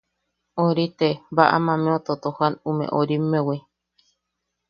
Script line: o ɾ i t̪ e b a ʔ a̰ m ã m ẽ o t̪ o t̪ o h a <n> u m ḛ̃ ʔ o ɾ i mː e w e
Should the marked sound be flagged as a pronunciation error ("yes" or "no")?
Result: no